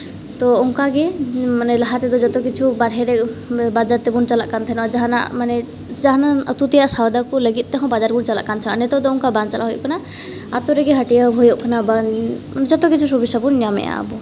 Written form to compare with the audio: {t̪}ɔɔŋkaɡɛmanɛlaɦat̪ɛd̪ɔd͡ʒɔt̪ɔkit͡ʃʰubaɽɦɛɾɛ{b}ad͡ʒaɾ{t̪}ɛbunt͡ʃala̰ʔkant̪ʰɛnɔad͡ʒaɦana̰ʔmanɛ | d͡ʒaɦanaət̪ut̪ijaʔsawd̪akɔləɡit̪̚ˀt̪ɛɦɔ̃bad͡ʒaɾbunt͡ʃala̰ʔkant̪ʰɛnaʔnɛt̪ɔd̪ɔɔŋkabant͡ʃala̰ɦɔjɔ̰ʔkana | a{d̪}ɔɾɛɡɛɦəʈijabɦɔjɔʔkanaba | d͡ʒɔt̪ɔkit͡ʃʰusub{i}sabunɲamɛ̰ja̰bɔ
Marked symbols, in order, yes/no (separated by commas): yes, yes, yes, no, yes